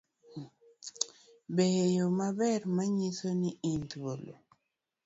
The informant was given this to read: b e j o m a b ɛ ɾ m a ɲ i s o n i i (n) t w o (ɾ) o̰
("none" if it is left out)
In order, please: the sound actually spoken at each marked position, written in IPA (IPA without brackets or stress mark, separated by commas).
n, l